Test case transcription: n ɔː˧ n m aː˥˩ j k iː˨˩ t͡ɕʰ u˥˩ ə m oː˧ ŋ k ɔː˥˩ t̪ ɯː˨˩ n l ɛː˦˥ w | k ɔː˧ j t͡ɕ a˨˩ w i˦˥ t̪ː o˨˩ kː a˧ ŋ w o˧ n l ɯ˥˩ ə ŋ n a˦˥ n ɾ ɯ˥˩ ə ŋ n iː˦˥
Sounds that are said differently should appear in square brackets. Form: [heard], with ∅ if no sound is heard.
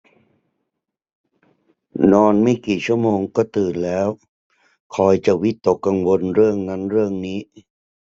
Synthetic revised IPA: n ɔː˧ n m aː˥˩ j k iː˨˩ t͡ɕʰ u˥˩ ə m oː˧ ŋ k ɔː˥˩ t̪ ɯː˨˩ n l ɛː˦˥ w | [kʰ] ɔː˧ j t͡ɕ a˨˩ w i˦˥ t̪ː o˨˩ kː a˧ ŋ w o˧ n [ɾ] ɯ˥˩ ə ŋ n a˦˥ n ɾ ɯ˥˩ ə ŋ n iː˦˥

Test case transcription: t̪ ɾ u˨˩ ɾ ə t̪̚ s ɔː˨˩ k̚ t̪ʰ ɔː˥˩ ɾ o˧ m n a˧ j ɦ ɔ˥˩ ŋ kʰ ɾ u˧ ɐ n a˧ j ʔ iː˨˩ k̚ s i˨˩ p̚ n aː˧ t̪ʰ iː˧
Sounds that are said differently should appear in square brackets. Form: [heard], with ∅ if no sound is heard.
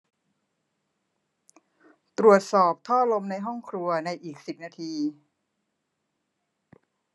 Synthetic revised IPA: t̪ ɾ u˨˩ [∅] ə t̪̚ s ɔː˨˩ [p̚] t̪ʰ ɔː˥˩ [l] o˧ m n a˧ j ɦ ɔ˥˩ ŋ kʰ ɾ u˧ ɐ n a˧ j ʔ iː˨˩ k̚ s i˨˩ p̚ n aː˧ t̪ʰ iː˧

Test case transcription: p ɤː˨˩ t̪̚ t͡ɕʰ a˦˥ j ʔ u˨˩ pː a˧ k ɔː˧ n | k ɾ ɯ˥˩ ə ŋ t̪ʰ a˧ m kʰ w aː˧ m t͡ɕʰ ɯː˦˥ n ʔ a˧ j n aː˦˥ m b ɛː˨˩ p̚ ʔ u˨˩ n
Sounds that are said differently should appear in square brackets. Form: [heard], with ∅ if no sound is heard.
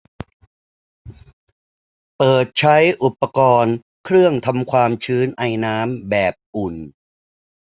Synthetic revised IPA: p ɤː˨˩ t̪̚ t͡ɕʰ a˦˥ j ʔ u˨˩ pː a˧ k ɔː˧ n | [kʰ] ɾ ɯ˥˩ ə ŋ t̪ʰ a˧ m kʰ w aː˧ m t͡ɕʰ ɯː˦˥ n ʔ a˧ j n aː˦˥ m b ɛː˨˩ p̚ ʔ u˨˩ n

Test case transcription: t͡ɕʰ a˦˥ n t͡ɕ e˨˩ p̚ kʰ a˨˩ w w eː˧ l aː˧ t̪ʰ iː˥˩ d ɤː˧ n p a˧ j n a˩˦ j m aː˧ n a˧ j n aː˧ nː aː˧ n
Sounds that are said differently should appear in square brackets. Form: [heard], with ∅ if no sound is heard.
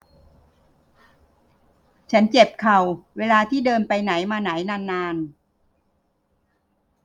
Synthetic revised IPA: t͡ɕʰ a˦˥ n t͡ɕ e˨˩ p̚ kʰ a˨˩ w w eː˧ l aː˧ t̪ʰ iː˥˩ d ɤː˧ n p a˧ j n a˩˦ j m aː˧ n [a˩˦] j n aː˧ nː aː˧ n

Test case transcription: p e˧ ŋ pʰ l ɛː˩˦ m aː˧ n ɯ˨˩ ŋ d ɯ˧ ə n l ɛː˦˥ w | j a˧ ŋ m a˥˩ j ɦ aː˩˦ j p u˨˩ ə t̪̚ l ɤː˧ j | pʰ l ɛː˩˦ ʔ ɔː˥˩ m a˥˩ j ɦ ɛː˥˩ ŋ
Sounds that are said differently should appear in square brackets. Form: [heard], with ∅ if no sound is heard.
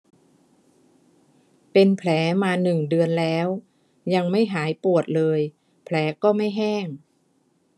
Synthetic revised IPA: p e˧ [n] pʰ l ɛː˩˦ m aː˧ n ɯ˨˩ ŋ d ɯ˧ ə n l ɛː˦˥ w | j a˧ ŋ m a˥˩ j ɦ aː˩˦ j p u˨˩ ə t̪̚ l ɤː˧ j | pʰ l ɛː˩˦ [k] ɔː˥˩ m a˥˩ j ɦ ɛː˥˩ ŋ

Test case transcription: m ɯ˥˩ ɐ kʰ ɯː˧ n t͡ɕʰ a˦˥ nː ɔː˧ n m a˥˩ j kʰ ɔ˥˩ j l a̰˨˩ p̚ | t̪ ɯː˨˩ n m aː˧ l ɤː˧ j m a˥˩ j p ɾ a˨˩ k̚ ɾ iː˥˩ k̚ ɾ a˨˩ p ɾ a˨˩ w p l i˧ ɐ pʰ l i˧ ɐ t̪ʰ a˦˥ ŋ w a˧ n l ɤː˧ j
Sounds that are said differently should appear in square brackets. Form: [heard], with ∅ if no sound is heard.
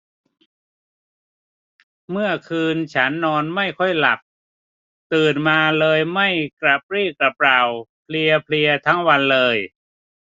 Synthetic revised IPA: m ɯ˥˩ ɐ kʰ ɯː˧ n t͡ɕʰ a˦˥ nː ɔː˧ n m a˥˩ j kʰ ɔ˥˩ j l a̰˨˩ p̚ | t̪ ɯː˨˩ n m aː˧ l ɤː˧ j m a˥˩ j [k] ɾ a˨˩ [p̚] ɾ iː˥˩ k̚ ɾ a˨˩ p ɾ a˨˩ w [pʰ] l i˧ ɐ pʰ l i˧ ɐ t̪ʰ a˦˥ ŋ w a˧ n l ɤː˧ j

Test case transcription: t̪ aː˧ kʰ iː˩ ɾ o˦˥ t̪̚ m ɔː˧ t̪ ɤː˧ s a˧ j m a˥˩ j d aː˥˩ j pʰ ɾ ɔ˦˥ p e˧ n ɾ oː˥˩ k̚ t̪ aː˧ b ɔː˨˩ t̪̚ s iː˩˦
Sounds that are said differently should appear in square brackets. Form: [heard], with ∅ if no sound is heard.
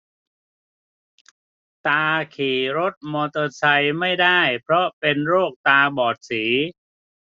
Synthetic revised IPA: t̪ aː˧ kʰ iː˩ ɾ o˦˥ t̪̚ m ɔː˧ t̪ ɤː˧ s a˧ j m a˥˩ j d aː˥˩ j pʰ ɾ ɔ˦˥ p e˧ n ɾ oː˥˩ k̚ t̪ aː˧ b ɔː˨˩ t̪̚ s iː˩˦

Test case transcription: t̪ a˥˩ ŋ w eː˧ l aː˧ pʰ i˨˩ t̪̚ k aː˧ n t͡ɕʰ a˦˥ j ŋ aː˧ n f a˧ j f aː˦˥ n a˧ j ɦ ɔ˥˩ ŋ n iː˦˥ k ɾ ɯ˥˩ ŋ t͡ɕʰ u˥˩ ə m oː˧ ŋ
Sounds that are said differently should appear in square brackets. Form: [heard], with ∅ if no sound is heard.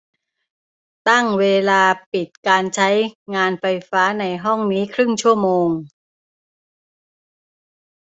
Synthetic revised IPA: t̪ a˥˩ ŋ w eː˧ l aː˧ [p] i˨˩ t̪̚ k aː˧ n t͡ɕʰ a˦˥ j ŋ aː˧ n f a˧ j f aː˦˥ n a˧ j ɦ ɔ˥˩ ŋ n iː˦˥ [kʰ] ɾ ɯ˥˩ ŋ t͡ɕʰ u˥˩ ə m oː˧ ŋ

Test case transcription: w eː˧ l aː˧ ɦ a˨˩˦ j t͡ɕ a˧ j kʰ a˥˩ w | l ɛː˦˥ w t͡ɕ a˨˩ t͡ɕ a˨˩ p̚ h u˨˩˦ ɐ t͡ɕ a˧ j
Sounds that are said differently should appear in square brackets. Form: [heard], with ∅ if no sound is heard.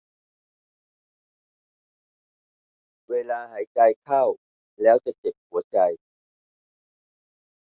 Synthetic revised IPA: w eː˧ l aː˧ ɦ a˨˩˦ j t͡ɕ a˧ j kʰ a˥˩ w | l ɛː˦˥ w t͡ɕ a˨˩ t͡ɕ [e˨˩] p̚ h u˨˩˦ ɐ t͡ɕ a˧ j

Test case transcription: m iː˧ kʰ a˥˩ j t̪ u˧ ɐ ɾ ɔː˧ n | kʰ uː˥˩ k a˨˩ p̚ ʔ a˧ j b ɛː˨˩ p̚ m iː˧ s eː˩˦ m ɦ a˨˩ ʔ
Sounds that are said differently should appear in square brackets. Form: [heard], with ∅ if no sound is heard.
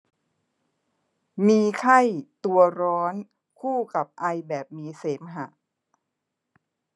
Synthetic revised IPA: m iː˧ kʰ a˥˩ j t̪ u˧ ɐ ɾ [ɔː˦˥] n | kʰ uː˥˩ k a˨˩ p̚ ʔ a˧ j b ɛː˨˩ p̚ m iː˧ s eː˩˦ m ɦ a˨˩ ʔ

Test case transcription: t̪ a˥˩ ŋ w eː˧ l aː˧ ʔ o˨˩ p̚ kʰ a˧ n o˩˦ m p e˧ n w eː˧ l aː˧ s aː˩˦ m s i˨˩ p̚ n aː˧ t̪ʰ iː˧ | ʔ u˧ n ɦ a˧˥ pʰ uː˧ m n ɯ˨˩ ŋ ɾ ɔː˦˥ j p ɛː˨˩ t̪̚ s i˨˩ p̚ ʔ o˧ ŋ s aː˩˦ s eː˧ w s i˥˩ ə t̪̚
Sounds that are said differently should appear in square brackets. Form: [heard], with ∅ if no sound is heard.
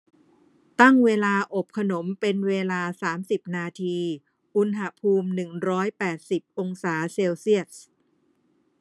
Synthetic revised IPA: t̪ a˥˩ ŋ w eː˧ l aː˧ ʔ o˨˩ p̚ kʰ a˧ n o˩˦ m p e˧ n w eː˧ l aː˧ s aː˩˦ m s i˨˩ p̚ n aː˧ t̪ʰ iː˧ | ʔ u˧ n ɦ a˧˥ pʰ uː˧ m n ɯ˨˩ ŋ ɾ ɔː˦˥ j p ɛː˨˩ t̪̚ s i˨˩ p̚ ʔ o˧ ŋ s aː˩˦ s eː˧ w s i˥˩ ə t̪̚

